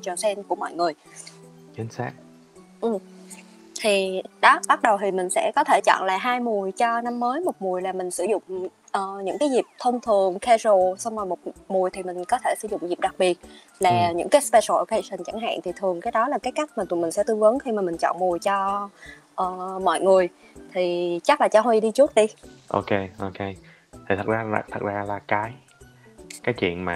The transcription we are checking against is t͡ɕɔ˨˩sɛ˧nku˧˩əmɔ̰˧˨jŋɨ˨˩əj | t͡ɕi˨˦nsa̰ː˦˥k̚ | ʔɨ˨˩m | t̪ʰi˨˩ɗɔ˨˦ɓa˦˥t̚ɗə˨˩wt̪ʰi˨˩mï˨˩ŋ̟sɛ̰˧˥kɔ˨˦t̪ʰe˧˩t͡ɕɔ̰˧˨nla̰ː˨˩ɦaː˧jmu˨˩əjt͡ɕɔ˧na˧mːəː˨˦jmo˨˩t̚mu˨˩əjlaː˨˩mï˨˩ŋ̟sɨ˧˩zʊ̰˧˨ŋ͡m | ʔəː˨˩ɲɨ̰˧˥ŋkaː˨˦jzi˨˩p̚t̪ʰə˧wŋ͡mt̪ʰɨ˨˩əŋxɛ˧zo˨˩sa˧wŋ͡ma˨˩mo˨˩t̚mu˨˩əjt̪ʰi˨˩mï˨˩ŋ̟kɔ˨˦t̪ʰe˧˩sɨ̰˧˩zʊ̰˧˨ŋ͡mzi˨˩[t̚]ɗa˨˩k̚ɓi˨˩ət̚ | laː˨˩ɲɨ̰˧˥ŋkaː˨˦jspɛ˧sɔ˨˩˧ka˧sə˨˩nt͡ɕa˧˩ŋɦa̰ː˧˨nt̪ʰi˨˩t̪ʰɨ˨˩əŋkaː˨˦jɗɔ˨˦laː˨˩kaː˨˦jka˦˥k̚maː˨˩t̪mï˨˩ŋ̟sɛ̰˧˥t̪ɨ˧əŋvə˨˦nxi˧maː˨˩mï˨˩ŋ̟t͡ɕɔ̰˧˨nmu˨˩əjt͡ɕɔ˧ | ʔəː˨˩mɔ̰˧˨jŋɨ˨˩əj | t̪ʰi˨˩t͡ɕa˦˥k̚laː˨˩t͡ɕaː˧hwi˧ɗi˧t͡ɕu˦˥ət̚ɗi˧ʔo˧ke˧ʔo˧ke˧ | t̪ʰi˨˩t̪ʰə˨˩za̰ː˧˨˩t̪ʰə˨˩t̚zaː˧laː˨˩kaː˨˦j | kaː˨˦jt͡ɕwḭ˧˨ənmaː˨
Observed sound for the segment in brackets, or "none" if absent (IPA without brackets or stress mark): p̚